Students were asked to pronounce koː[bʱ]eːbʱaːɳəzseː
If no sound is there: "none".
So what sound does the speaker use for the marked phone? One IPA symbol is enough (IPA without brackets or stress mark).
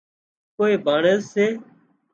none